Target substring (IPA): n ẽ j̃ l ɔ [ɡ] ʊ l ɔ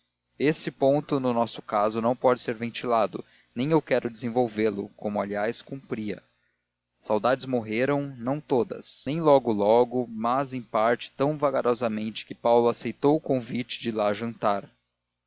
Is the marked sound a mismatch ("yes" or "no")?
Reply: no